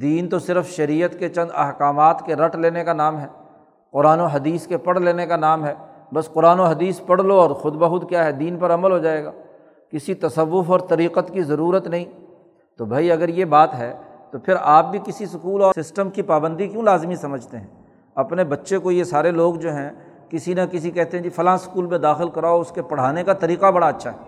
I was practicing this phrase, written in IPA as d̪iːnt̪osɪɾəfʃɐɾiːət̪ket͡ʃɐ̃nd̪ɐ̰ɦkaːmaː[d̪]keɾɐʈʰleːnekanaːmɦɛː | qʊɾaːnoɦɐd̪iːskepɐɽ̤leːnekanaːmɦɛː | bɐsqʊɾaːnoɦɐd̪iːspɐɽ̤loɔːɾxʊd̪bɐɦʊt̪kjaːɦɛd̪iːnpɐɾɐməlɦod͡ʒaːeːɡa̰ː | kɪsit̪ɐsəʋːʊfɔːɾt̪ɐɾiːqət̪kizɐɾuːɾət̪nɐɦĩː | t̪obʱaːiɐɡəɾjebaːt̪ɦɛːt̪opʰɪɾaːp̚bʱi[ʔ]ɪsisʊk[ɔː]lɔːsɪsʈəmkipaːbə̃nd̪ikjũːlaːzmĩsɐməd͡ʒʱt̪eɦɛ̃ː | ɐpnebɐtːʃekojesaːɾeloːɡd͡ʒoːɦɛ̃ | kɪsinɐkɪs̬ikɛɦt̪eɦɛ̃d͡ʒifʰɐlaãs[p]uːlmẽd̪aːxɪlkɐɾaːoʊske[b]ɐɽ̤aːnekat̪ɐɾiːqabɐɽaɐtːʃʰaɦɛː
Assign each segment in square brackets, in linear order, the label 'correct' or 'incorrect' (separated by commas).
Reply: incorrect, incorrect, incorrect, incorrect, incorrect